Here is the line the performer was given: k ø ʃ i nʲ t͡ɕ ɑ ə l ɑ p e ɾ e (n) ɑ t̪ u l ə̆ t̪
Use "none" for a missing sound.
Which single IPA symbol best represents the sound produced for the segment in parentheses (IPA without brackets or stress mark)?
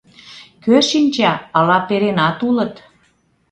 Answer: n